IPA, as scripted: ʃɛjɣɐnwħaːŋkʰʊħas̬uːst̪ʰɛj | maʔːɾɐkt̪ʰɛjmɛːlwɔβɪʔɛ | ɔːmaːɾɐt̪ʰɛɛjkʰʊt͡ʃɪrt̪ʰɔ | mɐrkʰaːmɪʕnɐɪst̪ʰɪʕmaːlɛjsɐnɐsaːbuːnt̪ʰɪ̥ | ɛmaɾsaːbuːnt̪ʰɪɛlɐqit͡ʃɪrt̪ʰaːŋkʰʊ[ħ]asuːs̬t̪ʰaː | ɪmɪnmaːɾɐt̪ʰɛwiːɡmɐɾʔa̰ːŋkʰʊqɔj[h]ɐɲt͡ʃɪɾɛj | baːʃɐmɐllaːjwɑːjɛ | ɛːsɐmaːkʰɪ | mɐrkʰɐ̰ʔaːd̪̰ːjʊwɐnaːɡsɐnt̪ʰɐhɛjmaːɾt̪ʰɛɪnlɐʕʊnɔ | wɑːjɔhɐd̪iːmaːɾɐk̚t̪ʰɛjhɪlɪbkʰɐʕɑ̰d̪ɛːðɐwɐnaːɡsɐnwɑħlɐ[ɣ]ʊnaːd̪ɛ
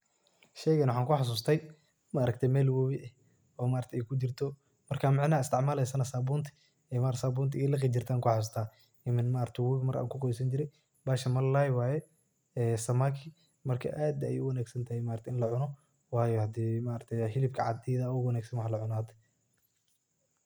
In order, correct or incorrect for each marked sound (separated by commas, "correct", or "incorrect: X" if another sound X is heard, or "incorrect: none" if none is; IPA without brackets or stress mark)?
correct, incorrect: s, incorrect: ʕ